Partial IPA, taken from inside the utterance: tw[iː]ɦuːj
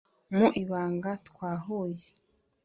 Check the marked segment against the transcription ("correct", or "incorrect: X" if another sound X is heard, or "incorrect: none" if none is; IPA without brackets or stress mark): incorrect: aː